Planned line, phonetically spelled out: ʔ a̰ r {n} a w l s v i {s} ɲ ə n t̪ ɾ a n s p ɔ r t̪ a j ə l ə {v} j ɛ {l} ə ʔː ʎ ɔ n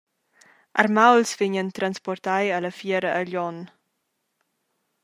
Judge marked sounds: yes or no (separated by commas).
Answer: no, no, no, no